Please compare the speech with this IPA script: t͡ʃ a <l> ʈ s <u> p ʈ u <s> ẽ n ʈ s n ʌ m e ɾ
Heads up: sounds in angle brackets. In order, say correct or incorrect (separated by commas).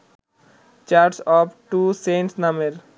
incorrect, incorrect, correct